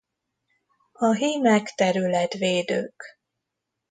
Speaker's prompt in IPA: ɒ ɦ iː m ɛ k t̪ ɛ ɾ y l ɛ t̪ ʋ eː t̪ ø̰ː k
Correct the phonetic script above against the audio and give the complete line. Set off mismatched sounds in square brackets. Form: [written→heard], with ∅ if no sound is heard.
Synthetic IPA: ɒ ɦ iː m ɛ k t̪ ɛ ɾ y l ɛ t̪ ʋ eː [t̪→d̪] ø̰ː k